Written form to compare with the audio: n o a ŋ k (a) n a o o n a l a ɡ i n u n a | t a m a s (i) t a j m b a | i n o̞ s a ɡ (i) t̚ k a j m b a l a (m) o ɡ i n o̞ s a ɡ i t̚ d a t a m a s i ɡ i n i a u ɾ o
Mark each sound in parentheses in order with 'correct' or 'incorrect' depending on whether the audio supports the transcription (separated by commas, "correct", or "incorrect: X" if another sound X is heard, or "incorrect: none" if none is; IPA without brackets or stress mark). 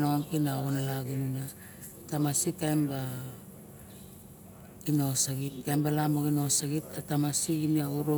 incorrect: i, correct, correct, correct